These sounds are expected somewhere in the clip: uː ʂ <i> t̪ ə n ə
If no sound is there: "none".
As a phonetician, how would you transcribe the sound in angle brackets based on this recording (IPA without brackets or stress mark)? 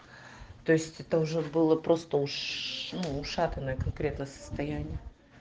a